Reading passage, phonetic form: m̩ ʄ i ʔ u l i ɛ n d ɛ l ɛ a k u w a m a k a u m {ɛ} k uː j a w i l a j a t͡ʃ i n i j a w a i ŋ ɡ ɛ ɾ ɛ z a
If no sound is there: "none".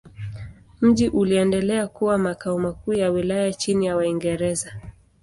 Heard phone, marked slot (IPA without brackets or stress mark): a